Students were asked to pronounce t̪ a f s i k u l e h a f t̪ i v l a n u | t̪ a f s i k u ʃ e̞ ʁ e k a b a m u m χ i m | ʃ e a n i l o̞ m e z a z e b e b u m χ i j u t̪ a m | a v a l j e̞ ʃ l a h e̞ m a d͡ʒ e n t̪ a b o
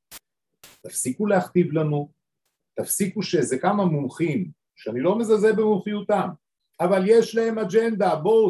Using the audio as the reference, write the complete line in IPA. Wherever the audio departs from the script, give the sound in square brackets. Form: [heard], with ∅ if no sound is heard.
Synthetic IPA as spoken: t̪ a f s i k u l e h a [χ] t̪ i v l a n u | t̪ a f s i k u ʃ e̞ [z] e k a [m] a m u m χ i m | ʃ e a n i l o̞ m e z a z e b e [m] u m χ i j u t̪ a m | a v a l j e̞ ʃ l a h e̞ m a d͡ʒ e n [d̪] a b o